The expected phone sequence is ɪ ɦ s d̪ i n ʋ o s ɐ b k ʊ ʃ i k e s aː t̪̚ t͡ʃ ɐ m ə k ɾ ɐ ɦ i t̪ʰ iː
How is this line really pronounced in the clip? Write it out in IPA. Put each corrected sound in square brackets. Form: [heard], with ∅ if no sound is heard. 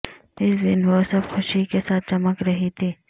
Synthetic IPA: ɪ [∅] s d̪ [ɪ] n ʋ o s ɐ b [x] ʊ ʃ i k e s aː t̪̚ t͡ʃ ɐ m ə k ɾ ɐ ɦ i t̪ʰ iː